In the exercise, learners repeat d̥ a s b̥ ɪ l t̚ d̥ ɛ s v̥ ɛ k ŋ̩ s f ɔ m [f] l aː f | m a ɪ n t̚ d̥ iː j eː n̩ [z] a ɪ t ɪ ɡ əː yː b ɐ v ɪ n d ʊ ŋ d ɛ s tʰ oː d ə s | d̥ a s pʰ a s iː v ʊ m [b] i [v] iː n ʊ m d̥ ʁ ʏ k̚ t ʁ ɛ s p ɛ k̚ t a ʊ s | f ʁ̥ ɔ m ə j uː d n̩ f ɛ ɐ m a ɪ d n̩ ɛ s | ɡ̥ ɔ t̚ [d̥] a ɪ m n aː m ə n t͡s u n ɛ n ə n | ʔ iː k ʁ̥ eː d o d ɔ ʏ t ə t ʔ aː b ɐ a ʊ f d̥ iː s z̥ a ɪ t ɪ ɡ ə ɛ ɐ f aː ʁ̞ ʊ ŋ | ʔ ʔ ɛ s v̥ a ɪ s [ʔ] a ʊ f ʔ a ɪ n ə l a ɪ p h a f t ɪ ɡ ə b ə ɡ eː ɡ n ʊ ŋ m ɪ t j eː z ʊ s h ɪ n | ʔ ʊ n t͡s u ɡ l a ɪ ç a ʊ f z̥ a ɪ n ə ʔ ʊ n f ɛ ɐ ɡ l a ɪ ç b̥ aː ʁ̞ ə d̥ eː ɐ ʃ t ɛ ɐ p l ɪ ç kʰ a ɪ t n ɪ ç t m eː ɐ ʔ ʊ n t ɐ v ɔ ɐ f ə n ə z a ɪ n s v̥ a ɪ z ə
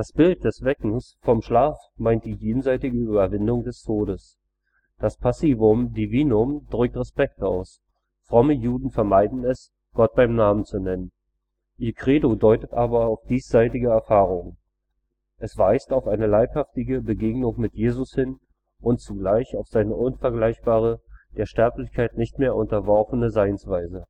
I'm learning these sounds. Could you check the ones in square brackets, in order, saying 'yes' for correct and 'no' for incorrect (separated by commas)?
no, yes, no, yes, no, no